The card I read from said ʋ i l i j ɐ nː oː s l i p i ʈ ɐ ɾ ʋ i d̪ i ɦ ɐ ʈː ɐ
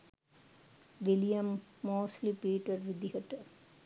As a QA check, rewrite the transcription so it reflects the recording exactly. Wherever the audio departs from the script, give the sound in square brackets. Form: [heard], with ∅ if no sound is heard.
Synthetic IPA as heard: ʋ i l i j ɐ [mː] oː s l i p [iː] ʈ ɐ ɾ ʋ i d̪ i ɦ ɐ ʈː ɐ